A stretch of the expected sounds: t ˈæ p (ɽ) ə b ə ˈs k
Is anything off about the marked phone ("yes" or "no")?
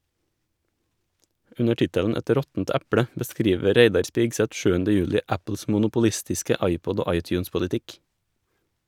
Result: no